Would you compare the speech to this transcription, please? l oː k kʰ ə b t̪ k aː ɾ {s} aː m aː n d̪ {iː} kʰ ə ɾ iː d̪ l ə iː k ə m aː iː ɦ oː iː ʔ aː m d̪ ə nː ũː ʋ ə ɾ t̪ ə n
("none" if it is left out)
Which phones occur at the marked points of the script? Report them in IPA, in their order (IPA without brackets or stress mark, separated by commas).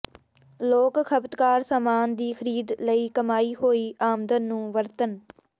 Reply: s, iː